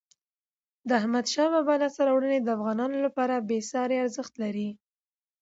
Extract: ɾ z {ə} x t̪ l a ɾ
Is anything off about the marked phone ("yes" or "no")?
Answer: no